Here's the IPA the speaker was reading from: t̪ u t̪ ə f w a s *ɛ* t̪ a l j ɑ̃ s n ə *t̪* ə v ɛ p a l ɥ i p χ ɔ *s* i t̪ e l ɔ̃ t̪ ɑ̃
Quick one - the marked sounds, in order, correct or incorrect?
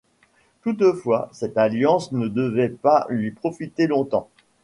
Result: correct, incorrect: d̪, incorrect: f

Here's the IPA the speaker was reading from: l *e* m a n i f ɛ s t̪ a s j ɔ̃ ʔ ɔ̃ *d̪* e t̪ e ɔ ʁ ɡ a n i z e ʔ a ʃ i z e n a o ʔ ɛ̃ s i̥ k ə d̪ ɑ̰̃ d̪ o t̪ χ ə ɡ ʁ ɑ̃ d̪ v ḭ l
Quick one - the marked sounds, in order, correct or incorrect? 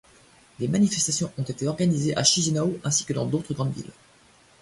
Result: correct, incorrect: t̪

